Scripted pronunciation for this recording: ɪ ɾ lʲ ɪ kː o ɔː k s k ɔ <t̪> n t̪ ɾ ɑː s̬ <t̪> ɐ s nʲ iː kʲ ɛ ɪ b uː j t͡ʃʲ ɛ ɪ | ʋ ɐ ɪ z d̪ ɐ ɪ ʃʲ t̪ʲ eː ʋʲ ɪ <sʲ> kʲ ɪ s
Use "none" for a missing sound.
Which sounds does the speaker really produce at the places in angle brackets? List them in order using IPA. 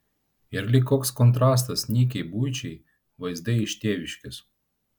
none, t̪, ʃʲ

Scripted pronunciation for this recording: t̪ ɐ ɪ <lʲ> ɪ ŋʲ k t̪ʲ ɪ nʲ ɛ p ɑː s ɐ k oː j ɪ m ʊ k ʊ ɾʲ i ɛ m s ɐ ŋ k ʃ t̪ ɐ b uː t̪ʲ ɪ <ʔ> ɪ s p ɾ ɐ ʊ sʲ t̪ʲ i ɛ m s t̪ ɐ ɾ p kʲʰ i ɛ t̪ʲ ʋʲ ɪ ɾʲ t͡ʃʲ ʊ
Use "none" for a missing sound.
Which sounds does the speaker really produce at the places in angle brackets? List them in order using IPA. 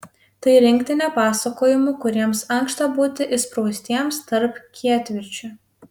ɾʲ, ʔ

